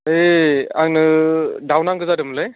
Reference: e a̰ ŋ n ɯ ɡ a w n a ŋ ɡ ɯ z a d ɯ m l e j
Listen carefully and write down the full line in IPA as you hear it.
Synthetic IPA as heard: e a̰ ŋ n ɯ d a w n a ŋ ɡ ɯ z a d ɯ m l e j